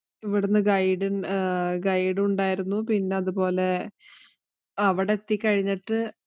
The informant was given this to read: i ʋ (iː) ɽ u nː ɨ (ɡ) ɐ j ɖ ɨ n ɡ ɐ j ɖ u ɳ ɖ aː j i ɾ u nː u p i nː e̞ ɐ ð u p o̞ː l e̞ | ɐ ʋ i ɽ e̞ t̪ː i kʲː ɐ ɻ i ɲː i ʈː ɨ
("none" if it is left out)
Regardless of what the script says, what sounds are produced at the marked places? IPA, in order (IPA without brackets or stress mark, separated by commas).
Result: i, ɡ